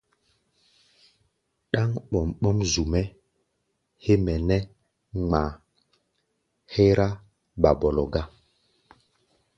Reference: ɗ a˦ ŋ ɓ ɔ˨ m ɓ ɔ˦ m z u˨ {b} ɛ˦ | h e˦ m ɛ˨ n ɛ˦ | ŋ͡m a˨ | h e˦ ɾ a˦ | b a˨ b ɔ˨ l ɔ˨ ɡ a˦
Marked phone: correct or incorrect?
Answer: incorrect